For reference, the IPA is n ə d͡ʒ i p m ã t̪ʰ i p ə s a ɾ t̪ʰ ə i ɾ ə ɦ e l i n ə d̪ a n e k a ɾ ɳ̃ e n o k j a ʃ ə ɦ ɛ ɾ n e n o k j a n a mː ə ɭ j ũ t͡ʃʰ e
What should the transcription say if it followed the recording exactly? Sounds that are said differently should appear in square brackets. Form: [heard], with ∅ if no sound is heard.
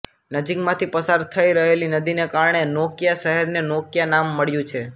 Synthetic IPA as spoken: n ə d͡ʒ i [k] m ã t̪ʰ i p ə s a ɾ t̪ʰ ə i ɾ ə ɦ e l i n ə d̪ [i] n e k a ɾ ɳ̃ e n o k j a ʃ ə ɦ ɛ ɾ n e n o k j a n a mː ə ɭ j ũ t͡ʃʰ e